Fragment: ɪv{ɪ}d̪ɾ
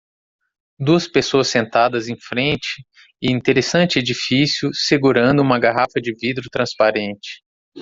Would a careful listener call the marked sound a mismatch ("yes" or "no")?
yes